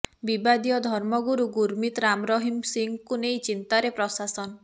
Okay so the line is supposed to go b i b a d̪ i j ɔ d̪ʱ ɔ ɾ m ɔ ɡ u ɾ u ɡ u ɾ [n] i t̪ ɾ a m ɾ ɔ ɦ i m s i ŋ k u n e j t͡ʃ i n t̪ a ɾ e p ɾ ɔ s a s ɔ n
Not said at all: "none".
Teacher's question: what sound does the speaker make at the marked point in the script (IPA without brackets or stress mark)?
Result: m